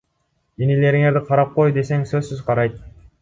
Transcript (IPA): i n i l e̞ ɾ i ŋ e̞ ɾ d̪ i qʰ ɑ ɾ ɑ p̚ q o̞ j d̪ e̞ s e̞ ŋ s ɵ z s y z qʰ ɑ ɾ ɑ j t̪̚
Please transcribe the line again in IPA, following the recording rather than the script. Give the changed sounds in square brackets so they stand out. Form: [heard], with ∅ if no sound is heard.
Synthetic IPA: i n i l e̞ ɾ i ŋ e̞ ɾ d̪ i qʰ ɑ ɾ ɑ p̚ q o̞ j d̪ e̞ s e̞ ŋ s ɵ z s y z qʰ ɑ ɾ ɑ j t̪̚